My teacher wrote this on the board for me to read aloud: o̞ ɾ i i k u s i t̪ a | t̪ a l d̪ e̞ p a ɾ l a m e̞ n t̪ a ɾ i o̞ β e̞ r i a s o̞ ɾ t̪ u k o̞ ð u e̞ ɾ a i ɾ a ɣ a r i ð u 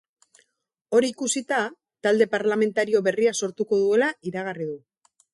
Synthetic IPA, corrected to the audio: o̞ ɾ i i k u s i t̪ a | t̪ a l d̪ e̞ p a ɾ l a m e̞ n t̪ a ɾ i o̞ β e̞ r i a s o̞ ɾ t̪ u k o̞ ð u e̞ l a i ɾ a ɣ a r i ð u